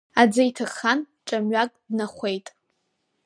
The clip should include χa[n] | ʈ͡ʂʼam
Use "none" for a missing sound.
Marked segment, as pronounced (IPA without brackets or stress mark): n